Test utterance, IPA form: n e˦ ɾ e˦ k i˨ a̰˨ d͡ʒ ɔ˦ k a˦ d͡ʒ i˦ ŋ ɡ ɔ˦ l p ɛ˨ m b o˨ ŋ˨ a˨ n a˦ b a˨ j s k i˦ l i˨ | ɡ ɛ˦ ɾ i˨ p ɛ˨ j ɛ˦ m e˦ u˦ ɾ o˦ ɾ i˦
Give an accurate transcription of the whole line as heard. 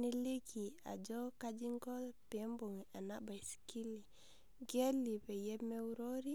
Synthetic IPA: n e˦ l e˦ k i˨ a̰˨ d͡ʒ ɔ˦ k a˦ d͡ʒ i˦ ŋ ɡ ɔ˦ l p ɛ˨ m b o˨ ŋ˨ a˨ n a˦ b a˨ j s k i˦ l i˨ | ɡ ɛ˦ l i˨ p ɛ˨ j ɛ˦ m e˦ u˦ ɾ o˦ ɾ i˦